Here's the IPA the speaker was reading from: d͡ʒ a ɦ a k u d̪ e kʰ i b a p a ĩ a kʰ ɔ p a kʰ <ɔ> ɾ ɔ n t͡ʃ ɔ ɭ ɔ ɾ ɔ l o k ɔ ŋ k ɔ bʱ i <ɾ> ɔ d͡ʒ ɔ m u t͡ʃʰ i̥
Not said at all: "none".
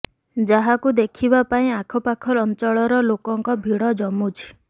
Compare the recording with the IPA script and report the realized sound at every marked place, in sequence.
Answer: ɔ, ɽ

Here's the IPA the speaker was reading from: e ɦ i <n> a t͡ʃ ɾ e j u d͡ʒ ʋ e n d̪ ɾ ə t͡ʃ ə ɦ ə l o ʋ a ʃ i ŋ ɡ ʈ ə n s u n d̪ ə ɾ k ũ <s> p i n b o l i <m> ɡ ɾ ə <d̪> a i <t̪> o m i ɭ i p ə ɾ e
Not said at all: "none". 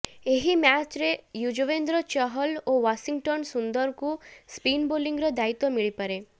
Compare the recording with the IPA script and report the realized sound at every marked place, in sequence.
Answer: m, s, ŋ, d̪, t̪

